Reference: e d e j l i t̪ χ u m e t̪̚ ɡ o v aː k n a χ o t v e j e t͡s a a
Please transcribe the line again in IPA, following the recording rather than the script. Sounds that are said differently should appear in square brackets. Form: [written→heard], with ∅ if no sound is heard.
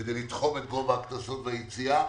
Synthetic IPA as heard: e d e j l i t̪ χ [u→o] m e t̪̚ ɡ o v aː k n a [χ→s] o t v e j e t͡s [a→i] a